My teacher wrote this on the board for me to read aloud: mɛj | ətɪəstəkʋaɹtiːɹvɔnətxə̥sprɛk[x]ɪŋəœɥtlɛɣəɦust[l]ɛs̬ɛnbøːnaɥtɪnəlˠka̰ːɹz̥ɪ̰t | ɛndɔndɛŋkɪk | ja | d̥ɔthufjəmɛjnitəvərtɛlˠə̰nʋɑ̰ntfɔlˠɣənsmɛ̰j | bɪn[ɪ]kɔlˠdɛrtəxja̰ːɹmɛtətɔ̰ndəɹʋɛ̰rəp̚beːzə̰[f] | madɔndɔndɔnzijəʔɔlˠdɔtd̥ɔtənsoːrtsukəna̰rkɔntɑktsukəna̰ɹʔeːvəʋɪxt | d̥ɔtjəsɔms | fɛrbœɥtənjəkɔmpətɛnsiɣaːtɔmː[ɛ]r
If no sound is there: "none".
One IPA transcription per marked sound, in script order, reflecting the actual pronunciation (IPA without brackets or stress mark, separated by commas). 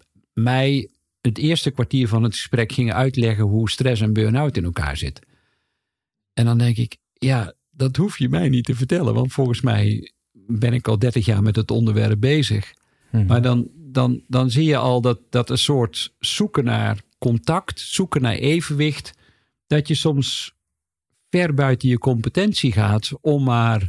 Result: x, r, ɪ, x, a